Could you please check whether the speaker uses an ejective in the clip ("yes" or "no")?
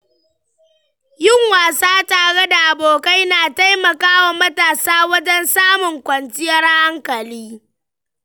no